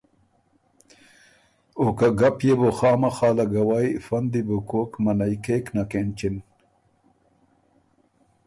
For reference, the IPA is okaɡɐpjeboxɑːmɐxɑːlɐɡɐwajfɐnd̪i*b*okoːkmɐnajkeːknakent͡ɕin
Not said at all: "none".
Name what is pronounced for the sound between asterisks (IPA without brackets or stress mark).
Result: b